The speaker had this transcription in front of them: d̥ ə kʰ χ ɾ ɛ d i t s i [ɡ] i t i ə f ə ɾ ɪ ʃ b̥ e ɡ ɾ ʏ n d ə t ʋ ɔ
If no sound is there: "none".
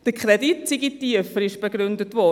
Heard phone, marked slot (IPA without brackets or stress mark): ɡ